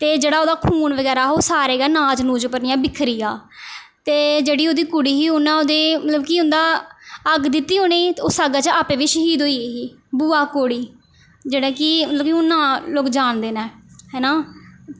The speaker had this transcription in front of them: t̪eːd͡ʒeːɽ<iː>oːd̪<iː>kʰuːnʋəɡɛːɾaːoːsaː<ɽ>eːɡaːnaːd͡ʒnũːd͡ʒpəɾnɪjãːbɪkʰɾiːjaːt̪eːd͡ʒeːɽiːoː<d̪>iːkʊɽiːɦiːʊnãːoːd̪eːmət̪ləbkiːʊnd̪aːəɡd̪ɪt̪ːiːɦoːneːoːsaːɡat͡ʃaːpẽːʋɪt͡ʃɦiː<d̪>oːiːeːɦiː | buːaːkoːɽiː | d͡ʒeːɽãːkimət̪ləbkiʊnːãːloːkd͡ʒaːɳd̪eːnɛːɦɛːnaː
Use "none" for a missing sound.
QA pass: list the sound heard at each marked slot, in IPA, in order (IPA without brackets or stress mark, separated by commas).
aː, aː, ɾ, d̪, d̪